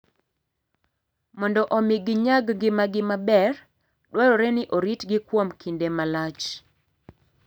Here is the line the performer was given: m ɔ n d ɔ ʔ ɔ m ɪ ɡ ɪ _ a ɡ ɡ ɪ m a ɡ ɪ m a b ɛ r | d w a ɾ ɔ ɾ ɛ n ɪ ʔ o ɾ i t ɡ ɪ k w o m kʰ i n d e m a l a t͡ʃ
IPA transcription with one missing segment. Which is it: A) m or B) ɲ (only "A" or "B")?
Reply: B